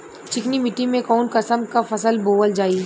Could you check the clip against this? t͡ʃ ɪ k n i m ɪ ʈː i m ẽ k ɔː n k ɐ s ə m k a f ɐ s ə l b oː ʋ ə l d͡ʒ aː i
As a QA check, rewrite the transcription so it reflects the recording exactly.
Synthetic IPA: t͡ʃ ɪ k n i m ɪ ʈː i m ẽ k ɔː n k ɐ s ə m k a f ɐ s ə l b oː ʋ ə l d͡ʒ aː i